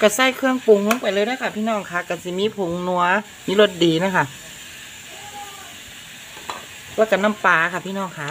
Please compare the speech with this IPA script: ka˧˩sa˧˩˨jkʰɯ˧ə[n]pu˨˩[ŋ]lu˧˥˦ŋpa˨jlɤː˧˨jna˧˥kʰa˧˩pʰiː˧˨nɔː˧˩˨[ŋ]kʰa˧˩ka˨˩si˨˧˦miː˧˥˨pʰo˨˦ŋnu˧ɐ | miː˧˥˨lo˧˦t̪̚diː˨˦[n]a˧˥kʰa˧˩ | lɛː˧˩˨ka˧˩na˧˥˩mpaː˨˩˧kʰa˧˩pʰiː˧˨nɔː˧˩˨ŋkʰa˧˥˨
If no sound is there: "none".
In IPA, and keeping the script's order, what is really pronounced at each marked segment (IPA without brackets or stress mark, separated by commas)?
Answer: ŋ, ŋ, ŋ, n